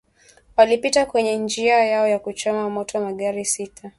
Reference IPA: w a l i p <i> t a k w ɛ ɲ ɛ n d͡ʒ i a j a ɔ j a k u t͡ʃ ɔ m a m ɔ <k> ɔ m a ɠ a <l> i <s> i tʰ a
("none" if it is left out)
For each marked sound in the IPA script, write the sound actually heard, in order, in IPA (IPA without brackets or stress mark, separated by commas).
i, t, ɾ, s